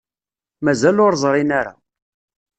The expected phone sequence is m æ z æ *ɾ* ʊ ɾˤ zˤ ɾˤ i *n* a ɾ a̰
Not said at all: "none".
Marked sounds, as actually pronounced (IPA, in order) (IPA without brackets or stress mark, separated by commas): l, n